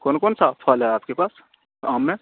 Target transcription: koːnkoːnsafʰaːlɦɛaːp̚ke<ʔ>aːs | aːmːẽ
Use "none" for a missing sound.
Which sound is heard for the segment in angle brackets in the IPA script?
p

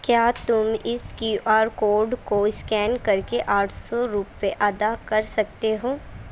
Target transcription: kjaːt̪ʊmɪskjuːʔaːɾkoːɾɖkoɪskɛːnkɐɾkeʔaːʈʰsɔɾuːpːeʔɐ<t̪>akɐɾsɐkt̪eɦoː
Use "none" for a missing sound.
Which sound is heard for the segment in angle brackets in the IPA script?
d̪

